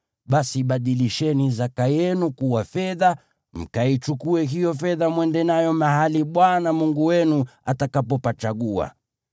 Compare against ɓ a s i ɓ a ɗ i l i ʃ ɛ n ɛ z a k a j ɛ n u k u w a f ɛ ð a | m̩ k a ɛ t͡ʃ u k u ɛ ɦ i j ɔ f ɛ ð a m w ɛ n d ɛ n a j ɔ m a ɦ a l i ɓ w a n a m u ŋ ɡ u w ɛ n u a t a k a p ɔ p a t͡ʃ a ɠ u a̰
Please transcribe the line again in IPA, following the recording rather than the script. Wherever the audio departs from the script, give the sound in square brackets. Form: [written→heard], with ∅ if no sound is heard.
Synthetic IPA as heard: ɓ a s i ɓ a ɗ i l i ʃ ɛ n [ɛ→i] z a k a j ɛ n u k u w a f ɛ ð a | m̩ k a [ɛ→i] t͡ʃ u k u ɛ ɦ i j ɔ f ɛ ð a m w ɛ n d ɛ n a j ɔ m a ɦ a l i ɓ w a n a m u ŋ ɡ u w ɛ n u a t a k a p ɔ p a t͡ʃ a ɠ u a̰